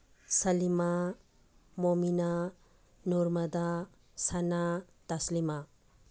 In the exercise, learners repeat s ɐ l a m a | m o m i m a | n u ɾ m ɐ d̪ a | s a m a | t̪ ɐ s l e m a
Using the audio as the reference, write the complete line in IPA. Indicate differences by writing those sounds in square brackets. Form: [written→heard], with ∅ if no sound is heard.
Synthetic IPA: s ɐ l [a→i] m a | m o m i [m→n] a | n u ɾ m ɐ d̪ a | s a [m→n] a | t̪ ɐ s l [e→i] m a